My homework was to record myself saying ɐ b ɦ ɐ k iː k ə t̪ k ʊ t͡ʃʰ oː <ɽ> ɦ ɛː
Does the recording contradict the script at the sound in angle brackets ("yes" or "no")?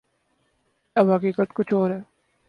yes